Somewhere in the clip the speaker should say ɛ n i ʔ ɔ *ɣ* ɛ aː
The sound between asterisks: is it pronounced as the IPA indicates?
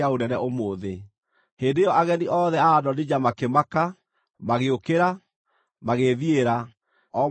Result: no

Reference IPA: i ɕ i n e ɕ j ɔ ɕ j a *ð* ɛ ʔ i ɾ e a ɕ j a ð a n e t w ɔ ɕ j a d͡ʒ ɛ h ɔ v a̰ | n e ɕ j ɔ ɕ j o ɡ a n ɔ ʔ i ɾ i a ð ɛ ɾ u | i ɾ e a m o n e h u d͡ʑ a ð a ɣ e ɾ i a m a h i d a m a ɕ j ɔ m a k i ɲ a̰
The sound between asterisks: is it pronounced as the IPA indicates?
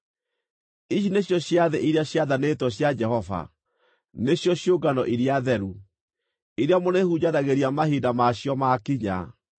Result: yes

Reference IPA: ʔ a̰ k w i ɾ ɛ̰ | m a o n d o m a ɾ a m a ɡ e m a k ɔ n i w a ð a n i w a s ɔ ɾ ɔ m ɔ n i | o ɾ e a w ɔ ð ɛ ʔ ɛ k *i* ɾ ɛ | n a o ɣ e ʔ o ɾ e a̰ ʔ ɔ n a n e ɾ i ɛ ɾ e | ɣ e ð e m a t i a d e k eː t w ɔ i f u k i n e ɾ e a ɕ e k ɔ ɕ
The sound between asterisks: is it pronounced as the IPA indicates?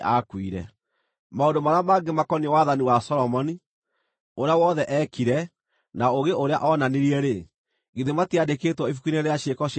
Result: yes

